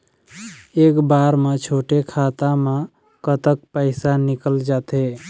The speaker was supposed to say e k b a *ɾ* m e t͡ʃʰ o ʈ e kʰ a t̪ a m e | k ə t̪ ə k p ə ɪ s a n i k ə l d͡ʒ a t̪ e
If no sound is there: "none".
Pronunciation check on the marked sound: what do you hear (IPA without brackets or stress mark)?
ɾ